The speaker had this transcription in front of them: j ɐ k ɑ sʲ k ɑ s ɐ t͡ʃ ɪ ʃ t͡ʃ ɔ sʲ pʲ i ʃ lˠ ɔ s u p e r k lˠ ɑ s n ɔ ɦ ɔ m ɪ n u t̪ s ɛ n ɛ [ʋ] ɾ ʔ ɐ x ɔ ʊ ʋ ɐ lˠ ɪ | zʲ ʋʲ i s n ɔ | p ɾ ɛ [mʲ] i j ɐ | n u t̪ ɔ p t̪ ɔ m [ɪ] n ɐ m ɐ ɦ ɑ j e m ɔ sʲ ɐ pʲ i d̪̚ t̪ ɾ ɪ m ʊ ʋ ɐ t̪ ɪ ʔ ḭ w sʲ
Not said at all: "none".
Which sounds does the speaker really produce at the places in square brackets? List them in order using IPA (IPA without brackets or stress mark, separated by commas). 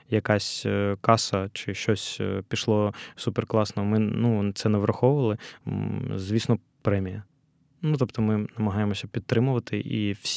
ʋ, mʲ, ɪ